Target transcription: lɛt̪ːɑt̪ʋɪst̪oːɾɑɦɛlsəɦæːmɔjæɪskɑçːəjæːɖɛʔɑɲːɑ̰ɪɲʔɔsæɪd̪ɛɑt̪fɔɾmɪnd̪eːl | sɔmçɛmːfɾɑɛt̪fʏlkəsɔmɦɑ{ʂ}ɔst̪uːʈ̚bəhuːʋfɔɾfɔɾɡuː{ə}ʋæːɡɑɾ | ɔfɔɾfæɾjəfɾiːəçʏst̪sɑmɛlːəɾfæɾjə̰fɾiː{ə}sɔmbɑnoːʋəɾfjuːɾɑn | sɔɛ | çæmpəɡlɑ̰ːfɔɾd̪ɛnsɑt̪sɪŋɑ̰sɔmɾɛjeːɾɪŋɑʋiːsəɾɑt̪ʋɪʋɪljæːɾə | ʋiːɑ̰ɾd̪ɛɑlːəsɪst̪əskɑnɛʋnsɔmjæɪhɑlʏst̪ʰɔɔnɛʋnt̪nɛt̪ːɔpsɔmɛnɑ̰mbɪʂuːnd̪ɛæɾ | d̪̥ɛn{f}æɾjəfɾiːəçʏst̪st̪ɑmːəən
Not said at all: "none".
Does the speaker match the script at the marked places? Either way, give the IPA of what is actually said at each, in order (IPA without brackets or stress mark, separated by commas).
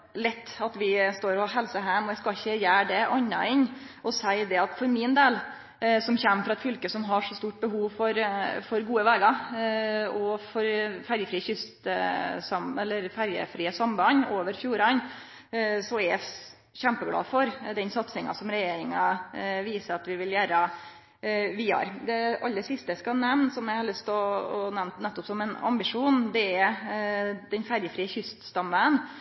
ʂ, ə, ə, f